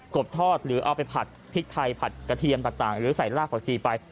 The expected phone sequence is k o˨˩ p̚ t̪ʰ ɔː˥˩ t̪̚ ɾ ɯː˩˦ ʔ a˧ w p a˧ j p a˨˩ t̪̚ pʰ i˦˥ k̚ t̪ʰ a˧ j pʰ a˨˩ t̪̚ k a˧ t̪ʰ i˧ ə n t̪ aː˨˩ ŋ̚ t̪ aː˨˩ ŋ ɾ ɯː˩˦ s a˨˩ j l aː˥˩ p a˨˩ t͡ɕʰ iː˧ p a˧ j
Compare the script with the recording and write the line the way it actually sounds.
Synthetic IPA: k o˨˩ p̚ t̪ʰ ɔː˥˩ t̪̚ ɾ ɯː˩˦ ʔ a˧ w p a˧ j pʰ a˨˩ t̪̚ pʰ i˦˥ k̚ t̪ʰ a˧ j pʰ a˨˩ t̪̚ k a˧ t̪ʰ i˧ ə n t̪ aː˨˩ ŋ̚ t̪ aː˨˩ ŋ ɾ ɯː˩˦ s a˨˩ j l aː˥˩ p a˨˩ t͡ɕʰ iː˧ p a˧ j

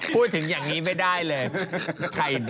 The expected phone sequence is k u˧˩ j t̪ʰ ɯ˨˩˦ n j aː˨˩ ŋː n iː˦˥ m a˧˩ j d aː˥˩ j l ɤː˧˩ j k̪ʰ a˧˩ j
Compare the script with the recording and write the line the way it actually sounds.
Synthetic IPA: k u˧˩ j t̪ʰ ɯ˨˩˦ ŋ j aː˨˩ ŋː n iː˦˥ m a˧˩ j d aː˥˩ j l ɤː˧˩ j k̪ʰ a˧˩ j

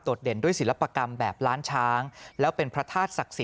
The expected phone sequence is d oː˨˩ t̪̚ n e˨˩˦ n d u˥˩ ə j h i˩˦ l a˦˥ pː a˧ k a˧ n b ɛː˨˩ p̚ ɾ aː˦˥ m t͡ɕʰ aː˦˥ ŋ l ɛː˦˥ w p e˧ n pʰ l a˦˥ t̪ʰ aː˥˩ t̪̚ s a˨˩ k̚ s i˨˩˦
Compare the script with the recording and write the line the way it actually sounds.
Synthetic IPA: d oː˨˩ t̪̚ d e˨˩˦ n d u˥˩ ə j s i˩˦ l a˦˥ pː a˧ k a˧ m b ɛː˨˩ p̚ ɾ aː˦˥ n t͡ɕʰ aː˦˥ ŋ l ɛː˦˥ w p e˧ n pʰ ɾ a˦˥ t̪ʰ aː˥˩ t̪̚ s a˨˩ k̚ s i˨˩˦

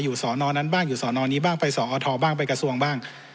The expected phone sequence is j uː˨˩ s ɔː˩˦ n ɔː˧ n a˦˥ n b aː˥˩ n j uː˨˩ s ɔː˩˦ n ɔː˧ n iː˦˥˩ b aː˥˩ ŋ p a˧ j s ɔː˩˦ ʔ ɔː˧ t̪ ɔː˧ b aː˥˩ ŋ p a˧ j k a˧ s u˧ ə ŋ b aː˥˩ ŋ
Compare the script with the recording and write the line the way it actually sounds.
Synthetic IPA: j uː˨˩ s ɔː˩˦ n ɔː˧ n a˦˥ n b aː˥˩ ŋ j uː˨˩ s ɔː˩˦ n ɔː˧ n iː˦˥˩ b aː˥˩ ŋ p a˧ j s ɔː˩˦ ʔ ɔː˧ t̪ʰ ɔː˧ b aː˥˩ ŋ p a˧ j k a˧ s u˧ ə ŋ b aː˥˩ ŋ

